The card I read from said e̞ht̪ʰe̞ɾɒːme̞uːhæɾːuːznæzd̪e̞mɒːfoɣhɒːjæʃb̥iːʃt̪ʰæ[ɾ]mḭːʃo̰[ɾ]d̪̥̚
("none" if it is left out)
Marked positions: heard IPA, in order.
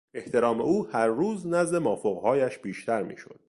ɾ, none

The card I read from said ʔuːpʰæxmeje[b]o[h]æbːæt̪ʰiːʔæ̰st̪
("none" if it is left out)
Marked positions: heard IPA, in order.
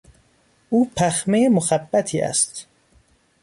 m, x

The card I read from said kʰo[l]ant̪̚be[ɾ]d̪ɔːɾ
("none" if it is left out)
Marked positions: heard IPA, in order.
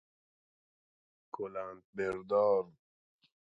l, ɾ

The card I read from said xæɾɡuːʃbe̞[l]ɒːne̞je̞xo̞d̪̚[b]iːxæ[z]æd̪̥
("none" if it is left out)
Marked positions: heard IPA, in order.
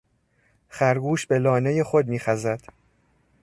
l, m, z

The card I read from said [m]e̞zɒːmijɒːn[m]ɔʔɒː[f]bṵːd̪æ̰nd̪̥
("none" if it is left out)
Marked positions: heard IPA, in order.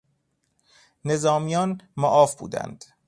n, m, f

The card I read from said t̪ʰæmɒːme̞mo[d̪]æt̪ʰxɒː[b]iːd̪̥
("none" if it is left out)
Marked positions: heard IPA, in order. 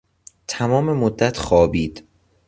d̪ː, b

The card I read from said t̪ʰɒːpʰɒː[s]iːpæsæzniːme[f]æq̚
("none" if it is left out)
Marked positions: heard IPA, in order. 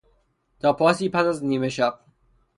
s, ʃ

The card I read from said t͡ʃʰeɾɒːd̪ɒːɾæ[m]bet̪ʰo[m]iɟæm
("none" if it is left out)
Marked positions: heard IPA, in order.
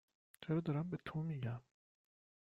m, m

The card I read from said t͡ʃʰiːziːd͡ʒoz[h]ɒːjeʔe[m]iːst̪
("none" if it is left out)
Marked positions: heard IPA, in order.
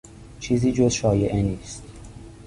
ʃ, n

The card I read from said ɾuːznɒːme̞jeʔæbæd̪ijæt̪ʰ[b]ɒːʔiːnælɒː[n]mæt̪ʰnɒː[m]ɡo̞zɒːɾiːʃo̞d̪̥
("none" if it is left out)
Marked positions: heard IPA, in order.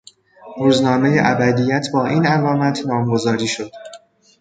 b, none, m

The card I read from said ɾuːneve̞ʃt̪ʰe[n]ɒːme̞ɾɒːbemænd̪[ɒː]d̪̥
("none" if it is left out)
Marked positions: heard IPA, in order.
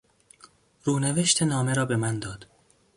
n, ɒː

